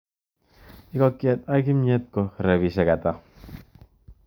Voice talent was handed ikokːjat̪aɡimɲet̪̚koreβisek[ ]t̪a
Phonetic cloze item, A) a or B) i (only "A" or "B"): A